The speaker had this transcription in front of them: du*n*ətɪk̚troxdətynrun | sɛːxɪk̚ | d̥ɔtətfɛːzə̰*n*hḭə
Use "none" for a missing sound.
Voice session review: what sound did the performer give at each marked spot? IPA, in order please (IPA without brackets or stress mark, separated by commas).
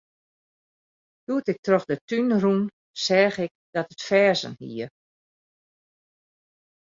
none, n